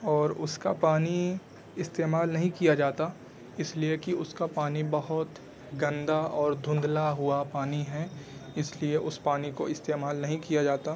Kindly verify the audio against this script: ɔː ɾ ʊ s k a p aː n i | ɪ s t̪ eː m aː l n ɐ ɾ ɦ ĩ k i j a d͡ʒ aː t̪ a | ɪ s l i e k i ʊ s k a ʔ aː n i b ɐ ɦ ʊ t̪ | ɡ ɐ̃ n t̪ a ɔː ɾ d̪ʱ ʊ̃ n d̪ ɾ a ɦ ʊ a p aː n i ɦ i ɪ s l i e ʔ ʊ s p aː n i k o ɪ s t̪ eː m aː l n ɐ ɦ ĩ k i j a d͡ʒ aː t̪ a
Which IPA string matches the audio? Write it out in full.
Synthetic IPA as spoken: ɔː ɾ ʊ s k a p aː n i | ɪ s t̪ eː m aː l n ɐ ɦ ĩ k i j a d͡ʒ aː t̪ a | ɪ s l i e k i ʊ s k a p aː n i b ɐ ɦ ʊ t̪ | ɡ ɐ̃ n d̪ a ɔː ɾ d̪ʱ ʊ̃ n d̪ l a ɦ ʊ a p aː n i ɦ ɛ ɪ s l i e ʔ ʊ s p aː n i k o ɪ s t̪ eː m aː l n ɐ ɦ ĩ k i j a d͡ʒ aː t̪ a